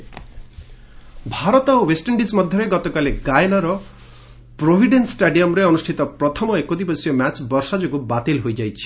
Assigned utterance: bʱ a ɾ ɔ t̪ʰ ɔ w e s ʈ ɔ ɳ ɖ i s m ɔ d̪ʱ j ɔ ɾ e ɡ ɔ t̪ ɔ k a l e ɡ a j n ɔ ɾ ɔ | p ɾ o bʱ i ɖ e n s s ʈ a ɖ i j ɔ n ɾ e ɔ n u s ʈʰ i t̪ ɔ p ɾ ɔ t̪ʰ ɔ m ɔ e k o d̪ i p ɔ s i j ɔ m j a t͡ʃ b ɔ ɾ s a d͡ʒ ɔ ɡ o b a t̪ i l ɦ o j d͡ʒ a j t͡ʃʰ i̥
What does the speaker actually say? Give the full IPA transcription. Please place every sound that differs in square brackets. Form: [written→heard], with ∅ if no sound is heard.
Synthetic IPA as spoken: bʱ a ɾ ɔ [t̪ʰ→t̪] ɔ w e s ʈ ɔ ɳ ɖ i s m ɔ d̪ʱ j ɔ ɾ e ɡ ɔ t̪ ɔ k a l e ɡ a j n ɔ ɾ ɔ | p ɾ o bʱ i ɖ e n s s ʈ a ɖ i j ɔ [n→m] ɾ e ɔ n u s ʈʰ i t̪ ɔ p ɾ ɔ t̪ʰ ɔ m ɔ e k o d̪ i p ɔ s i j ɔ m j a t͡ʃ b ɔ ɾ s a d͡ʒ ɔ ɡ [o→u] b a t̪ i l ɦ o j d͡ʒ a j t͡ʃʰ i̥